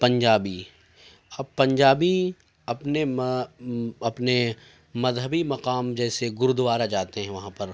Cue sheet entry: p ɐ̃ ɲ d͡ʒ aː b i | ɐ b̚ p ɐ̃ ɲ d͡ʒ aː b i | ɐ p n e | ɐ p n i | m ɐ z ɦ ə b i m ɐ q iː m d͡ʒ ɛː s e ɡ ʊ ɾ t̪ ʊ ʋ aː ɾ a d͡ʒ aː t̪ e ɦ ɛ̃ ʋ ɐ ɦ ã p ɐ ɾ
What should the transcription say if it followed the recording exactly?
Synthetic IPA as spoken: p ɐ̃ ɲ d͡ʒ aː b i | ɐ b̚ p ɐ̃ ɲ d͡ʒ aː b i | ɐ p n e | ɐ p n e | m ɐ z ɦ ə b i m ɐ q aː m d͡ʒ ɛː s e ɡ ʊ ɾ d̪ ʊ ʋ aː ɾ a d͡ʒ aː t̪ e ɦ ɛ̃ ʋ ɐ ɦ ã p ɐ ɾ